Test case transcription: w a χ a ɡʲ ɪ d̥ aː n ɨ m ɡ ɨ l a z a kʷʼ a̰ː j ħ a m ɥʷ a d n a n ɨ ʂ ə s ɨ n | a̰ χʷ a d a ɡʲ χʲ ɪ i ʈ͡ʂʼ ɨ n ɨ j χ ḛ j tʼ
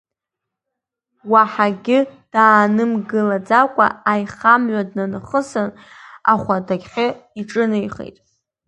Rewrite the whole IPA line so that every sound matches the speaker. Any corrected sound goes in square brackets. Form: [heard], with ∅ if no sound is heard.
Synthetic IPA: w a [ħ] a ɡʲ ɪ d̥ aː n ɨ m ɡ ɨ l a [d͡z] a kʷʼ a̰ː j [χ] a m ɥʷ a d n a n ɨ [χ] ə s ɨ n | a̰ χʷ a d a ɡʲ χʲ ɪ i ʈ͡ʂʼ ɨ n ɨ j χ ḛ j tʼ